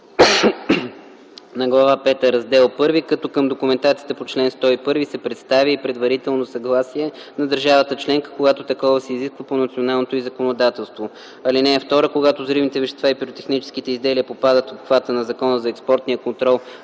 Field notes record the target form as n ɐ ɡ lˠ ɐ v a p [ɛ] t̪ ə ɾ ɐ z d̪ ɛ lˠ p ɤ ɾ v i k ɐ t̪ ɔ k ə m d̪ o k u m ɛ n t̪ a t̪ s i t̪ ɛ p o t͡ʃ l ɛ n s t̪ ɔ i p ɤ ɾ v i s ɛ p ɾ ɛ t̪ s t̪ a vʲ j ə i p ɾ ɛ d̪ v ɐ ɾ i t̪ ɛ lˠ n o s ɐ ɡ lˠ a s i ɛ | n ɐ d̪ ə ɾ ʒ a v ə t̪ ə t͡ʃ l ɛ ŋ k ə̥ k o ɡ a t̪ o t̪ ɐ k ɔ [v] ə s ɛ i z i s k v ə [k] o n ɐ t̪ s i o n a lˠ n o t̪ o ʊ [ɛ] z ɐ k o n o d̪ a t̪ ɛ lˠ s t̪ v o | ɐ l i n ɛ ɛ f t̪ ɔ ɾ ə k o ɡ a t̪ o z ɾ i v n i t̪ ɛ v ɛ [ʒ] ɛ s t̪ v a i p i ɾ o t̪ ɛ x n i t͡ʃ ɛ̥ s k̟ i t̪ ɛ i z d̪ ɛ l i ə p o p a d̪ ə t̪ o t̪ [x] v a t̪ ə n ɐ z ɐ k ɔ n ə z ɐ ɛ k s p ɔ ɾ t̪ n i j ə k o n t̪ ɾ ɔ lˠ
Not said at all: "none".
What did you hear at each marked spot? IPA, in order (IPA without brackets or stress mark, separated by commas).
ɛ, v, p, i, ʃ, x